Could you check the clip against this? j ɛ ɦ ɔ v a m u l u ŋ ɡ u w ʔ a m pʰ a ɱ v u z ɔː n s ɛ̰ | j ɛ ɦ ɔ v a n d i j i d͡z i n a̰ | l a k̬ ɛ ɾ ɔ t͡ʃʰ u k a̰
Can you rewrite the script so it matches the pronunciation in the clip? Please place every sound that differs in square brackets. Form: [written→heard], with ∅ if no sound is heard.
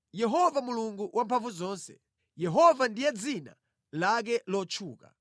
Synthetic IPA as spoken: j ɛ ɦ ɔ v a m u l u ŋ ɡ u w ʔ a m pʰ a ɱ v u z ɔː n s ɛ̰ | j ɛ ɦ ɔ v a n d i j [i→ɛ] d͡z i n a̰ | l a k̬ ɛ [ɾ→l] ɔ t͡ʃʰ [u→uː] k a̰